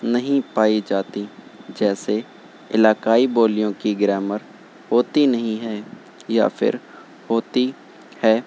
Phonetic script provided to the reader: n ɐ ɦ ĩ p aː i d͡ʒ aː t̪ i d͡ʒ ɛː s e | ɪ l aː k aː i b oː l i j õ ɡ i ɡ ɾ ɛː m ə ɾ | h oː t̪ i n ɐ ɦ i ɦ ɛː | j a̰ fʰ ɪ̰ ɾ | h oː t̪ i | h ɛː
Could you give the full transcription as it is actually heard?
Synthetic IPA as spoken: n ɐ ɦ ĩ p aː i d͡ʒ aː t̪ i d͡ʒ ɛː s e | ɪ l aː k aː i b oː l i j õ k i ɡ ɾ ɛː m ə ɾ | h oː t̪ i n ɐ ɦ ĩ ɦ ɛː | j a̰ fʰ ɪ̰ ɾ | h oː t̪ i | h ɛː